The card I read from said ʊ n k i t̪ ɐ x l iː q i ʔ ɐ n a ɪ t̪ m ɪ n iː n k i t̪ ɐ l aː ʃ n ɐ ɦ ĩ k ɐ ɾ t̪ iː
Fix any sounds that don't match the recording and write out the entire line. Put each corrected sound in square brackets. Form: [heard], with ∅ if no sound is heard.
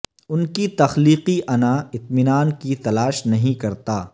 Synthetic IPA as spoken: ʊ n k i t̪ ɐ x l iː q i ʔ ɐ n a ɪ t̪ m ɪ n [aː] n k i t̪ ɐ l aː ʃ n ɐ ɦ ĩ k ɐ ɾ t̪ [aː]

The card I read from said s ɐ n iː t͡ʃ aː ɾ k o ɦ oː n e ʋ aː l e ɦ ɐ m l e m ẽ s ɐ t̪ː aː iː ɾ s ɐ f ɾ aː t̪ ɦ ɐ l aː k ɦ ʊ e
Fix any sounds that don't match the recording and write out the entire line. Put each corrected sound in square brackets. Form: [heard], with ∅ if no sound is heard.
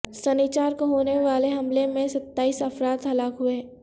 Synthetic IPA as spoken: s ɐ n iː t͡ʃ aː ɾ k o ɦ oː n e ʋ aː l e ɦ ɐ m l e m ẽ s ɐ t̪ː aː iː [∅] s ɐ f ɾ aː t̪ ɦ ɐ l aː k ɦ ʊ e

